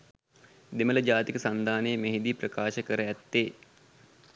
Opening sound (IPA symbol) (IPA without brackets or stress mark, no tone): d̪